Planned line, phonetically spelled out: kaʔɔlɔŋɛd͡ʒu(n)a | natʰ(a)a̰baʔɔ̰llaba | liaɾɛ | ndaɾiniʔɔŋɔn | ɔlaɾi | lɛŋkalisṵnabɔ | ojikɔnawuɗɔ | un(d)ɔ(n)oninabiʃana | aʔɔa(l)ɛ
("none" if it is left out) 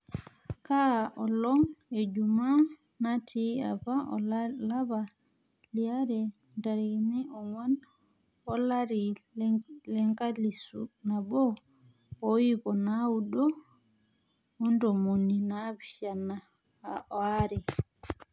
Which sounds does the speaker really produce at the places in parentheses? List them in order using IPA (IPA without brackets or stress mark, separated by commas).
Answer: m, i, d, m, ɾ